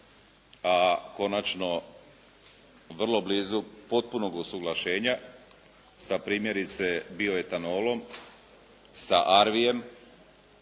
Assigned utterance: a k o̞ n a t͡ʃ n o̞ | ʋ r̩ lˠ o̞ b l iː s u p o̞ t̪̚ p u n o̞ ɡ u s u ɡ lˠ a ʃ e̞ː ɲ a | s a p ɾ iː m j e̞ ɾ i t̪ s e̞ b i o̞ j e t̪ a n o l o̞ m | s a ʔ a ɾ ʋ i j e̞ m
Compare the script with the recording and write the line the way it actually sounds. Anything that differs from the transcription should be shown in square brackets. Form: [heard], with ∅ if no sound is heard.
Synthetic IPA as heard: a k o̞ n a t͡ʃ n o̞ | ʋ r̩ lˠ o̞ b l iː [z] u p o̞ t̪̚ p u n o̞ ɡ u s u ɡ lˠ a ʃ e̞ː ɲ a | s a p ɾ iː m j e̞ ɾ i t̪ s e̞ b i o̞ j e t̪ a n o l o̞ m | s a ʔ a ɾ ʋ i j e̞ m

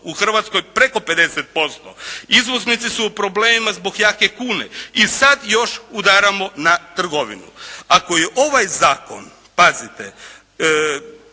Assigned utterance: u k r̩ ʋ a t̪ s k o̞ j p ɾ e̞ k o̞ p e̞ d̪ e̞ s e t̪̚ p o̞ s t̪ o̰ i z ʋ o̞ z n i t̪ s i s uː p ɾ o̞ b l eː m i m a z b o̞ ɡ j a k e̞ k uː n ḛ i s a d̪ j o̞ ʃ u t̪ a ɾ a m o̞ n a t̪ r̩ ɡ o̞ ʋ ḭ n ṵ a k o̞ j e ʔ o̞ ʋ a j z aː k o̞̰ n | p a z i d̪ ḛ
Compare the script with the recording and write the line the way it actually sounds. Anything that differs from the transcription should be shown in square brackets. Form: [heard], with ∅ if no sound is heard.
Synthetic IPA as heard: u [x] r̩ ʋ a t̪ s k o̞ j p ɾ e̞ k o̞ p e̞ d̪ e̞ s e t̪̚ p o̞ s t̪ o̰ i z ʋ o̞ z n i t̪ s i s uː p ɾ o̞ b l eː m i m a z b o̞ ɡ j a k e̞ k uː n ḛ i s a d̪ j o̞ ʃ u [d̪] a ɾ a m o̞ n a t̪ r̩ ɡ o̞ ʋ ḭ n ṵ a k o̞ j e ʔ o̞ ʋ a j z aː k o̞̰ n | p a z i [t̪] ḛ

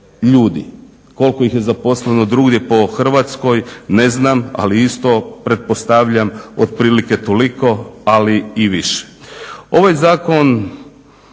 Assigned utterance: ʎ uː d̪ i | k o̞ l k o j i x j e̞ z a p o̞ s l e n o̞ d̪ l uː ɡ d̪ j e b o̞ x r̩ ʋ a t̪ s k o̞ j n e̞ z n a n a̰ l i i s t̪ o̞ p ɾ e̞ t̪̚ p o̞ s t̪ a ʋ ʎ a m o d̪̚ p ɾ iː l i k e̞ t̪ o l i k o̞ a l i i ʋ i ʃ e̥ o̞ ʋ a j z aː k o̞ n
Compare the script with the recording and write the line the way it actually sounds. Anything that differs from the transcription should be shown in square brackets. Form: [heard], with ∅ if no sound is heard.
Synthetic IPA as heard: ʎ uː d̪ i | k o̞ l k o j i x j e̞ z a p o̞ s l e n o̞ d̪ [ɾ] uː ɡ d̪ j e [p] o̞ x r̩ ʋ a t̪ s k o̞ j n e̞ z n a [m] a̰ l i i s t̪ o̞ p ɾ e̞ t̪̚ p o̞ s t̪ a ʋ ʎ a m o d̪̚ p ɾ iː l i k e̞ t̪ o l i k o̞ a l i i ʋ i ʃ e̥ o̞ ʋ a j z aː k o̞ n

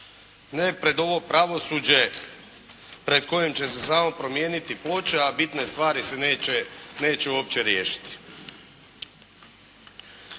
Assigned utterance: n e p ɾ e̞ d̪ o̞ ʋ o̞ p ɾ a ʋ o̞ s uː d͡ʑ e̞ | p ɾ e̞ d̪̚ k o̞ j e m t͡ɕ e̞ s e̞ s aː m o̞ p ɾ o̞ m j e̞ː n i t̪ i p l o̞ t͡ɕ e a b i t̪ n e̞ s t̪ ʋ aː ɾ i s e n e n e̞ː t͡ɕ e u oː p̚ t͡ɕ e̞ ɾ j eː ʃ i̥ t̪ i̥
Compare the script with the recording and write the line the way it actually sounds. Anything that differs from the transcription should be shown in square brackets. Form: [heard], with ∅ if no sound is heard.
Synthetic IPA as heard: n e p ɾ e̞ d̪ o̞ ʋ o̞ p ɾ a ʋ o̞ s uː d͡ʑ e̞ | p ɾ e̞ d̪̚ k o̞ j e m t͡ɕ e̞ s e̞ s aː m o̞ p ɾ o̞ m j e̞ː n i t̪ i p l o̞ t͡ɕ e a b i t̪ n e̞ s t̪ ʋ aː ɾ i s e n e n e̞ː t͡ɕ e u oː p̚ t͡ɕ e̞ ɾ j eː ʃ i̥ t̪ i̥

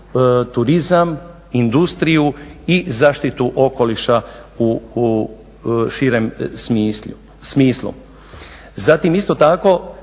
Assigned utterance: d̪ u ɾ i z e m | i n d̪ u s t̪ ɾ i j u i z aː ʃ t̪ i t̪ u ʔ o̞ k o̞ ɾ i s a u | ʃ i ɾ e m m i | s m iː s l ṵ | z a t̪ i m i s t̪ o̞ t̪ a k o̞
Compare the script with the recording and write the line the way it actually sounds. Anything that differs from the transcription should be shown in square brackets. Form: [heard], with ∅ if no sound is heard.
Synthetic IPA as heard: [t̪] u ɾ i z [a] m | i n d̪ u s t̪ ɾ i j u i z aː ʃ t̪ i t̪ u ʔ o̞ k o̞ [l] i [ʃ] a u | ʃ i ɾ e m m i | s m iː s l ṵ | z a t̪ i m i s t̪ o̞ t̪ a k o̞

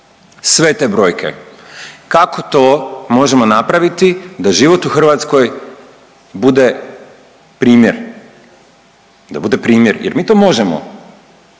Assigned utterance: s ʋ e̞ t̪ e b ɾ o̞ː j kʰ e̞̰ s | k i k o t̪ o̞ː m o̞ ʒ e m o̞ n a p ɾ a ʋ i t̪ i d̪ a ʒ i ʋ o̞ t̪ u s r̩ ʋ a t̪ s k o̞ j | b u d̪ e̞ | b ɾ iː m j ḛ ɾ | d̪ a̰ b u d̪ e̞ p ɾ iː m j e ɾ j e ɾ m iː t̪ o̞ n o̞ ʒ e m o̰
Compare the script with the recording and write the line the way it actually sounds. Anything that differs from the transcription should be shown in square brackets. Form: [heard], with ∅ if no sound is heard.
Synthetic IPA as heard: s ʋ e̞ t̪ e b ɾ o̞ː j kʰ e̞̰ [∅] | k [a] k o t̪ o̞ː m o̞ ʒ e m o̞ n a p ɾ a ʋ i t̪ i d̪ a ʒ i ʋ o̞ t̪ u [x] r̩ ʋ a t̪ s k o̞ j | b u d̪ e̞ | [p] ɾ iː m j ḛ ɾ | d̪ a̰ b u d̪ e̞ p ɾ iː m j e ɾ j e ɾ m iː t̪ o̞ [m] o̞ ʒ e m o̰

